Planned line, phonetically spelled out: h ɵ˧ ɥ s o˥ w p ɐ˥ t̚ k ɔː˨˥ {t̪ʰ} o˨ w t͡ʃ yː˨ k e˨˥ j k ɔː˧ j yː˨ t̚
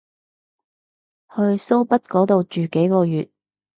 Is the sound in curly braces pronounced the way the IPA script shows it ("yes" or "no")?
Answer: no